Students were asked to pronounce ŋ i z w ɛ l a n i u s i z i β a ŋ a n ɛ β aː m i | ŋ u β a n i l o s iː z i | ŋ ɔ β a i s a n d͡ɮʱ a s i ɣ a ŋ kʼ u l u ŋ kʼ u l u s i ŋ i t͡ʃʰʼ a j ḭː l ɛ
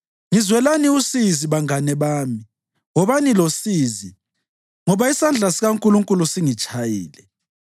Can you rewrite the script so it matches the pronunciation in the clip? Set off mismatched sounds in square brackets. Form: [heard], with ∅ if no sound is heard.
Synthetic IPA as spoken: ŋ i z w ɛ l a n i u s i z i β a ŋ a n ɛ β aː m i | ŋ [ɔ] β a n i l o s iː z i | ŋ ɔ β a i s a n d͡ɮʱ a s i ɣ a ŋ kʼ u l u ŋ kʼ u l u s i ŋ i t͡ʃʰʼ a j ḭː l ɛ

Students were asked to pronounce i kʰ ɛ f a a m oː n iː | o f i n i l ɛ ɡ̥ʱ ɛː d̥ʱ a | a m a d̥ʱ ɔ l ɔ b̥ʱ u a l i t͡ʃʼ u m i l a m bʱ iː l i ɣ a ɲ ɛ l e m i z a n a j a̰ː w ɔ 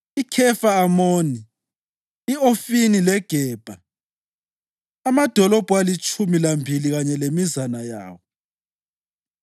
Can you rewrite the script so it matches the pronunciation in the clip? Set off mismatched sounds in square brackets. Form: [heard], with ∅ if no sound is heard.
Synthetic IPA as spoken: i kʰ ɛ f a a m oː n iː | o f i n i l ɛ ɡ̥ʱ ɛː [b̥ʱ] a | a m a d̥ʱ ɔ l ɔ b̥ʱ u a l i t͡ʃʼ u m i l a m bʱ [i] l i ɣ a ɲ ɛ l e m i z a n a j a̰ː w ɔ

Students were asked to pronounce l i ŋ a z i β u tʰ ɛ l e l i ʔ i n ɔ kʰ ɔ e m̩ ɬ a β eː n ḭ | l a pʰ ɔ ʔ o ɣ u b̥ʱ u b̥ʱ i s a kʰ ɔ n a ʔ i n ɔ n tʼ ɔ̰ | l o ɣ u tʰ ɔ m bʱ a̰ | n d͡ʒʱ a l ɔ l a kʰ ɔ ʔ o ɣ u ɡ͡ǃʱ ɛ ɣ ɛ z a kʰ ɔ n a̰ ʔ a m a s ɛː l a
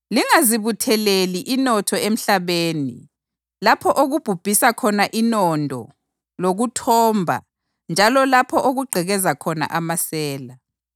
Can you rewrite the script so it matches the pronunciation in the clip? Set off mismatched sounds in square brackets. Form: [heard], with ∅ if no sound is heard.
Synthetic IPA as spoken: l i ŋ a z i β u tʰ ɛ l e l i ʔ i n ɔ [tʰ] ɔ e m̩ ɬ a β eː n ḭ | l a pʰ ɔ ʔ o ɣ u b̥ʱ u b̥ʱ i s a kʰ ɔ n a ʔ i n ɔ n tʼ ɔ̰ | l o ɣ u tʰ ɔ m bʱ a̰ | n d͡ʒʱ a l ɔ l a [pʰ] ɔ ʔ o ɣ u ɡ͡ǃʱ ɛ ɣ ɛ z a kʰ ɔ n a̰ ʔ a m a s ɛː l a

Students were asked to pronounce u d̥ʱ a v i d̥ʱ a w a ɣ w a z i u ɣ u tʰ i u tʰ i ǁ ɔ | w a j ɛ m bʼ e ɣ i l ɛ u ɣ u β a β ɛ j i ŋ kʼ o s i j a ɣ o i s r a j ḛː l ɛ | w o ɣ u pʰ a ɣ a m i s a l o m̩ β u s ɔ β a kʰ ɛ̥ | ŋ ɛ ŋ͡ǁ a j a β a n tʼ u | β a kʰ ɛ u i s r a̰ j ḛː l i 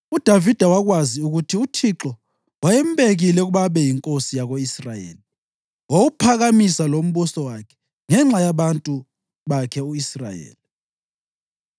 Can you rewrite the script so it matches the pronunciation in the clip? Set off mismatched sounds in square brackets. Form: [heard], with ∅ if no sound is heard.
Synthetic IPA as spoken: u d̥ʱ a v i d̥ʱ a w a ɣ w a z i u ɣ u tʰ i u tʰ i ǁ ɔ | w a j ɛ m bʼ e ɣ i l ɛ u ɣ u β a β ɛ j i ŋ kʼ o s i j a ɣ o i s r a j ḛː l [i] | w o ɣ u pʰ a ɣ a m i s a l o m̩ β u s ɔ [w] a kʰ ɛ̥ | ŋ ɛ ŋ͡ǁ a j a β a n tʼ u | β a kʰ ɛ u i s r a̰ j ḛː l i

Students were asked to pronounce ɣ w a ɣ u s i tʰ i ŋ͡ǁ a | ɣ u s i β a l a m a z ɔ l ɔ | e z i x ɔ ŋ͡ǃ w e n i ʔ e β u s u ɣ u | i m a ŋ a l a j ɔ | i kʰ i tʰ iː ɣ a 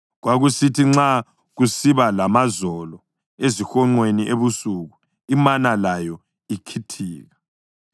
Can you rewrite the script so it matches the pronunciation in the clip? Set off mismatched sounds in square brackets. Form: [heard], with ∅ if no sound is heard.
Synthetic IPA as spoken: ɣ w a ɣ u s i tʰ i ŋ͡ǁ a | ɣ u s i β a l a m a z ɔ l ɔ | e z i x ɔ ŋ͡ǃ w e n i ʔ e β u s u ɣ u | i m a [n] a l a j ɔ | i kʰ i tʰ iː ɣ a

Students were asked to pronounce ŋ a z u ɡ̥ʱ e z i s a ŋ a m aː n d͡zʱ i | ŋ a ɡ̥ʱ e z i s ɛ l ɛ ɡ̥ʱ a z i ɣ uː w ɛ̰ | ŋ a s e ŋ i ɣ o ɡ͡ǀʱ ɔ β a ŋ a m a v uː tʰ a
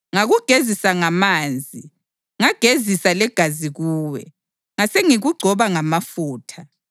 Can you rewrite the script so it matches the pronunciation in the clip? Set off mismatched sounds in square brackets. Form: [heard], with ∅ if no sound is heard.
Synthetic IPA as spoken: ŋ a [ɣ] u ɡ̥ʱ e z i s a ŋ a m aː n d͡zʱ i | ŋ a ɡ̥ʱ e z i s [a] l ɛ ɡ̥ʱ a z i ɣ uː w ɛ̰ | ŋ a s e ŋ i ɣ [u] ɡ͡ǀʱ ɔ β a ŋ a m a [f] uː tʰ a

